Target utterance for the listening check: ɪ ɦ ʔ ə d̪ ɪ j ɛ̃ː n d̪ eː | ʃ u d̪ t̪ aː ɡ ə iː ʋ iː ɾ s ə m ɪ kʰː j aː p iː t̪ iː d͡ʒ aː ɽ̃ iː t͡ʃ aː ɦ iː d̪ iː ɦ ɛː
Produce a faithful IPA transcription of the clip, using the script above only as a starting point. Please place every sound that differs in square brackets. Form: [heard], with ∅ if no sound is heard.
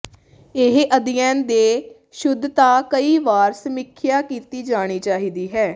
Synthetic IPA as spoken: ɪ ɦ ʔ ə d̪ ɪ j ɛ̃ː n d̪ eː | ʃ [ʊ] d̪ t̪ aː [k] ə iː ʋ [aː] ɾ s ə m ɪ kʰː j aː [k] iː t̪ iː d͡ʒ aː ɽ̃ iː t͡ʃ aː ɦ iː d̪ iː ɦ ɛː